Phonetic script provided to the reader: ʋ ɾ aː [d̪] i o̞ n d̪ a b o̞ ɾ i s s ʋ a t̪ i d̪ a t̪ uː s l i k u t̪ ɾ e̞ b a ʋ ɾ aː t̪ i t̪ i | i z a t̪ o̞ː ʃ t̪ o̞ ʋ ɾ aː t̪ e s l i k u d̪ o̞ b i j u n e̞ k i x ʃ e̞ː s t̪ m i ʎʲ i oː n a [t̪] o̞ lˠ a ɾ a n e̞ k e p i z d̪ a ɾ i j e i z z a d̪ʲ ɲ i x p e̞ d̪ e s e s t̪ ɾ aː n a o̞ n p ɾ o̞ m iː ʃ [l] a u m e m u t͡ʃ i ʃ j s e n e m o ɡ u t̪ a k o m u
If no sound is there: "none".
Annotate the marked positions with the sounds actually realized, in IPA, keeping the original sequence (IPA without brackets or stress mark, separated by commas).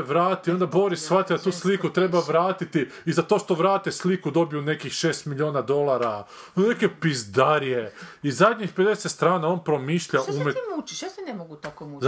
t̪, d̪, ʎ